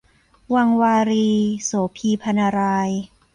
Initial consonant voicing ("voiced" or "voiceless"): voiced